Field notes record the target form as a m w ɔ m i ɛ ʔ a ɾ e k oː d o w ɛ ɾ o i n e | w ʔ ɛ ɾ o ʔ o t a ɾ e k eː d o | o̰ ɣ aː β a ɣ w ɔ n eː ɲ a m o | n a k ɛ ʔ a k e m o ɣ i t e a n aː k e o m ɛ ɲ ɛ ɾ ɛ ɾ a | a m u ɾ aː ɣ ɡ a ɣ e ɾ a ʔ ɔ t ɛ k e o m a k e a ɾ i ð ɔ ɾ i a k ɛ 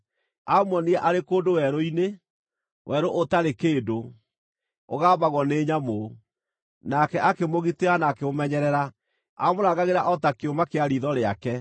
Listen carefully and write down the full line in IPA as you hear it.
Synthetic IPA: a m w ɔ n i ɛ ʔ a ɾ e k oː d o w ɛ ɾ o i n e | w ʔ ɛ ɾ o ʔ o t a ɾ e k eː d o | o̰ ɣ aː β a ɣ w ɔ n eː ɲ a m o | n a k ɛ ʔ a k e m o ɣ i t e a n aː k e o m ɛ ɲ ɛ ɾ ɛ ɾ a | a m o ɾ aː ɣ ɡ a ɣ e ɾ a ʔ ɔ t a k e o m a k e a ɾ i ð ɔ ɾ e a k ɛ